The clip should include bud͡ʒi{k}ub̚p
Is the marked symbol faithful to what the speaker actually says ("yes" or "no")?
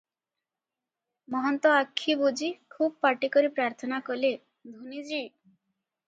no